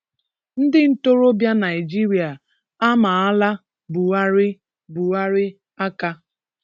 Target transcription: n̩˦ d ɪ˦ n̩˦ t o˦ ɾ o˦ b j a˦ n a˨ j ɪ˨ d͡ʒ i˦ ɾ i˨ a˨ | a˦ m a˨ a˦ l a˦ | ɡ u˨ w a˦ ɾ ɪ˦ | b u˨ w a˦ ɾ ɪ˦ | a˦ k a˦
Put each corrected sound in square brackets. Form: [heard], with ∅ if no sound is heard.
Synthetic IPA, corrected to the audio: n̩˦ d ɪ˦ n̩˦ t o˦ ɾ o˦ b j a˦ n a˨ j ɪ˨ d͡ʒ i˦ ɾ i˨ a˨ | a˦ m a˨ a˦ l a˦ | [b] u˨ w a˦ ɾ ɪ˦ | b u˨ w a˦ ɾ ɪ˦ | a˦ k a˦